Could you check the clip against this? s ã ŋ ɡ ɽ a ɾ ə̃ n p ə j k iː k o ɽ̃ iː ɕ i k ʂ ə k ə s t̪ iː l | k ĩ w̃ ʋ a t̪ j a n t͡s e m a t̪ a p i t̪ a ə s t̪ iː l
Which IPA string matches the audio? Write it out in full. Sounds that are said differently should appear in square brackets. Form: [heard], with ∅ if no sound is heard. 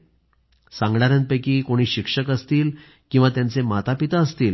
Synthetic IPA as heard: s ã ŋ ɡ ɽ a ɾ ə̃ n p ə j k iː k o ɽ̃ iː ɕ i k ʂ ə k ə s t̪ iː l | k ĩ w̃ ʋ a t̪ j a n t͡s e m a t̪ a p i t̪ a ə s t̪ iː l